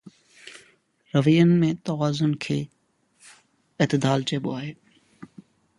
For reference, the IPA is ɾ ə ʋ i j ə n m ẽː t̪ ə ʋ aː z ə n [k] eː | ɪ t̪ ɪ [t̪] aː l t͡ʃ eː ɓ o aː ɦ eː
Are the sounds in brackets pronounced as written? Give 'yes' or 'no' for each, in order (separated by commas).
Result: no, no